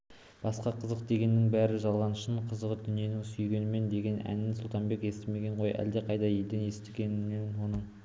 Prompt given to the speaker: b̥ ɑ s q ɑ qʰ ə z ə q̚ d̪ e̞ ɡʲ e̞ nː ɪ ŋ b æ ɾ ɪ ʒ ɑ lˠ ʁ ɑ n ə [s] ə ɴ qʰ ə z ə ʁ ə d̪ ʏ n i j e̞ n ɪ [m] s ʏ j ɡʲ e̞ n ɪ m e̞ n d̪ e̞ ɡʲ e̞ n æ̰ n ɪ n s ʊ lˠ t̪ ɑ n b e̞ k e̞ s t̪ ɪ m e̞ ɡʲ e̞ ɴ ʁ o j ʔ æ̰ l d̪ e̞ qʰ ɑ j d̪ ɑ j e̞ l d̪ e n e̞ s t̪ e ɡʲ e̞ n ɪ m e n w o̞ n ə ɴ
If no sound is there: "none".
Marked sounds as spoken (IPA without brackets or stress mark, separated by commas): ʃ, ŋ